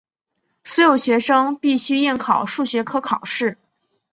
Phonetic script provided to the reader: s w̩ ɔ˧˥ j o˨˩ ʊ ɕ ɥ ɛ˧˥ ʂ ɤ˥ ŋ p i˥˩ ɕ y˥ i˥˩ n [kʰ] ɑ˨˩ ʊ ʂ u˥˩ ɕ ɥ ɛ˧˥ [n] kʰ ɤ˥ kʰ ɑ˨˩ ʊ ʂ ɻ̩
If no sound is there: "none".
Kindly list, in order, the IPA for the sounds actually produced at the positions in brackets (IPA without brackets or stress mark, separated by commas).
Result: kʰ, none